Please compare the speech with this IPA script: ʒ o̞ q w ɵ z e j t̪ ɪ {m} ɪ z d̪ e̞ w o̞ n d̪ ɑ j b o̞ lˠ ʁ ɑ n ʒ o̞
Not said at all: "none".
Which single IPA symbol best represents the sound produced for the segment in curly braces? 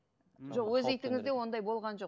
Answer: ŋ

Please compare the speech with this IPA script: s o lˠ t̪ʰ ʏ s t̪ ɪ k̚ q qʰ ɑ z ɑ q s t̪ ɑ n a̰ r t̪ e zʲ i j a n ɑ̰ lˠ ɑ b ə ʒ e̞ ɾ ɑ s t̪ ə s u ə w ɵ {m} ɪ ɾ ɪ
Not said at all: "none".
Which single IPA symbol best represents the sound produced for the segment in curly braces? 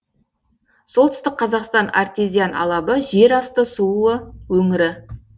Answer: ŋ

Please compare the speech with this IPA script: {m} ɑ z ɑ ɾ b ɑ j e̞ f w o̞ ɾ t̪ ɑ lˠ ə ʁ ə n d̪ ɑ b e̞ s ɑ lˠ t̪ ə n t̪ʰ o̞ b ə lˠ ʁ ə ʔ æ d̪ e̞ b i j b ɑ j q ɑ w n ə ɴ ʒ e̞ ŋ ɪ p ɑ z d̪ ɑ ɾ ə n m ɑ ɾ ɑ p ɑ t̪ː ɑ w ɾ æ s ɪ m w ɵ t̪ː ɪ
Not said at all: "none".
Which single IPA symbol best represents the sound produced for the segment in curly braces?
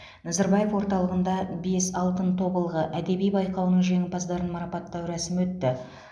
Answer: n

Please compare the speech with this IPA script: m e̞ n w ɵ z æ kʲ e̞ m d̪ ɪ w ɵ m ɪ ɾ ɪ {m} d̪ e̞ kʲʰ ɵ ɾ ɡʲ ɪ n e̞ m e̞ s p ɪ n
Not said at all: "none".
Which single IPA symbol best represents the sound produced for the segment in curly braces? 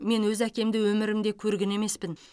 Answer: m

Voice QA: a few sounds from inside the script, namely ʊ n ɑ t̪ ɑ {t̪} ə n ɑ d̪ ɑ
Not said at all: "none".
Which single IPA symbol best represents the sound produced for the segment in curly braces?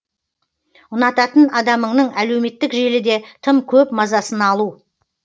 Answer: t̪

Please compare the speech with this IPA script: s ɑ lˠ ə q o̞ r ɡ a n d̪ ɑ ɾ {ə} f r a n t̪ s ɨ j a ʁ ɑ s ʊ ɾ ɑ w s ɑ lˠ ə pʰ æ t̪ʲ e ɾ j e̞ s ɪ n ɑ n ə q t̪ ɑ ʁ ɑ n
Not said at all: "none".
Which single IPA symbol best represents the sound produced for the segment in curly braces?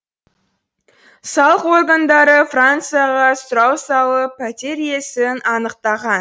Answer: ə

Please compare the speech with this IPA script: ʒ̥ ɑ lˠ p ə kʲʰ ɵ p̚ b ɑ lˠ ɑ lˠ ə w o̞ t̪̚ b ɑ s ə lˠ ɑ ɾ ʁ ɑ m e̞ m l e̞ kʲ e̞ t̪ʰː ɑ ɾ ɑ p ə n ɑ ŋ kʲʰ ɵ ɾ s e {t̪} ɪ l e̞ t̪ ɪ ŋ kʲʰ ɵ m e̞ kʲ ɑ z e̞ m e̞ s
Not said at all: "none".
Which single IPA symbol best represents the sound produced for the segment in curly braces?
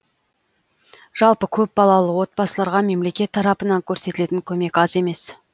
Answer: t̪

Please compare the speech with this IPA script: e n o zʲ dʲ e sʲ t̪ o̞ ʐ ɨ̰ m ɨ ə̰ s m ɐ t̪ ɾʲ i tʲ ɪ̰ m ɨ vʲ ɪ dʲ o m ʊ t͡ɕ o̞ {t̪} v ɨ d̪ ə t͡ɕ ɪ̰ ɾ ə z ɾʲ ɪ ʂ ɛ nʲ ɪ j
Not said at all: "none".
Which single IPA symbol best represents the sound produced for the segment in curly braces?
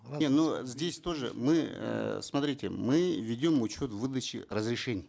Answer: t̪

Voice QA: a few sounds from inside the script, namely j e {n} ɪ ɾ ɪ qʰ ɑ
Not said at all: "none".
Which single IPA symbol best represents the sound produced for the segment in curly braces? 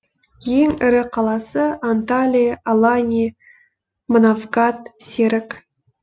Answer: ŋ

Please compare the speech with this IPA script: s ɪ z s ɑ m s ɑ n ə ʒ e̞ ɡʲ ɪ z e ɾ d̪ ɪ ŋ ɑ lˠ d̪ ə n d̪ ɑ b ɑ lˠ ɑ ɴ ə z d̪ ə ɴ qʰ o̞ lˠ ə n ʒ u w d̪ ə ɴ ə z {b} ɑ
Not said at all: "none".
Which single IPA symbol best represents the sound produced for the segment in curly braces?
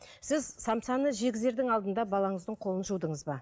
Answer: b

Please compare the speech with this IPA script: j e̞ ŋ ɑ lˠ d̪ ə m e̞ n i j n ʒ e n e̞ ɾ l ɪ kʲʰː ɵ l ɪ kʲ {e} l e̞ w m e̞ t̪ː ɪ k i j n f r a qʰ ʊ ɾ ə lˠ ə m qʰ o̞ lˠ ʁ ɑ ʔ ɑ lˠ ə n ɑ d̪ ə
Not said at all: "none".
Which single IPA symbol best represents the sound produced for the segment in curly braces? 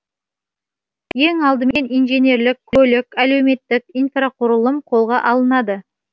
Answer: æ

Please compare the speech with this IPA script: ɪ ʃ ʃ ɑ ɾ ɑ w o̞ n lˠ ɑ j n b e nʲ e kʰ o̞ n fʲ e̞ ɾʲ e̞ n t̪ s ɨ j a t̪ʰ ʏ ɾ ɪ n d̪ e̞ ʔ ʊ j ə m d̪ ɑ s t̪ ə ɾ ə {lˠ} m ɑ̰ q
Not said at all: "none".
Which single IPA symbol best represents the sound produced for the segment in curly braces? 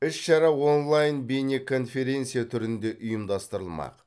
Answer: lˠ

